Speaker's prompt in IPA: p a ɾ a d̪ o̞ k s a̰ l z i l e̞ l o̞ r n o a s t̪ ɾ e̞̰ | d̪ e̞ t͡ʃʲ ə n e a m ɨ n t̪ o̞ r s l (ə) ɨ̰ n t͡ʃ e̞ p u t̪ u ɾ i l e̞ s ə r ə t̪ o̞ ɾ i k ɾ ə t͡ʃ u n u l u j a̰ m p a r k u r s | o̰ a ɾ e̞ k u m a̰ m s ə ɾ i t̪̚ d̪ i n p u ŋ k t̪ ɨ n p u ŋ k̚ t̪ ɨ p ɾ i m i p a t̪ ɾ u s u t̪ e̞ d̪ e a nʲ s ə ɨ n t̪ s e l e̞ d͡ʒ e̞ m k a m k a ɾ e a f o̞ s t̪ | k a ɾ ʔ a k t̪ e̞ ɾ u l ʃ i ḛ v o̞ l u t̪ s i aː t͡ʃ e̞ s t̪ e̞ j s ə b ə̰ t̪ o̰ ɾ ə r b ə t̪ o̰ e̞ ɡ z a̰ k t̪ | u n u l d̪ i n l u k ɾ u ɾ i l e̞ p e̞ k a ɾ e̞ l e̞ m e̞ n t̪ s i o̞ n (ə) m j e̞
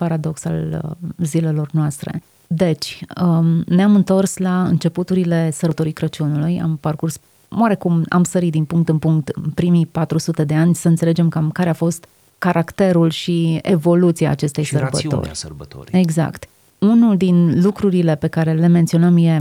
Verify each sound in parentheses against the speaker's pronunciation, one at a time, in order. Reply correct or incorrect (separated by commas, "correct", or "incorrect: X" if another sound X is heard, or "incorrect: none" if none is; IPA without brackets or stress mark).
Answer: incorrect: a, correct